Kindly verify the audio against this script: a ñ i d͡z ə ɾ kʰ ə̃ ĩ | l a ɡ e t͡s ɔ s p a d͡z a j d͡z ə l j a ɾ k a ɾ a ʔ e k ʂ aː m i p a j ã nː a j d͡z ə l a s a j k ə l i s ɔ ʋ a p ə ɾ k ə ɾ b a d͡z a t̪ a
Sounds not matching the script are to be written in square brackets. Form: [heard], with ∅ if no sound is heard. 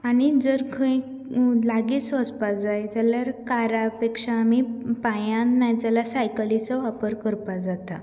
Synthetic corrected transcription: a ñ i d͡z ə ɾ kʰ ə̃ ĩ | l a ɡ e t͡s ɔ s p a d͡z a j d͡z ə l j a ɾ k a ɾ a [p] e k ʂ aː m i p a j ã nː a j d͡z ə l a s a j k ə l i [t͡s] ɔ ʋ a p ə ɾ k ə ɾ [p] a d͡z a t̪ a